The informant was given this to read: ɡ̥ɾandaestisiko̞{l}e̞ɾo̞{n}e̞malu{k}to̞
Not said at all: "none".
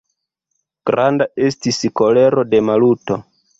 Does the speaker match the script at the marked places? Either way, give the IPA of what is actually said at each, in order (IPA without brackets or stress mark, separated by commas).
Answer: l, d, none